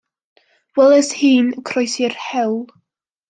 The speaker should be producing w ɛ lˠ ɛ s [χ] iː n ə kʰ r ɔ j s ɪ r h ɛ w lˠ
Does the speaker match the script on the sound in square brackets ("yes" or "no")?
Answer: no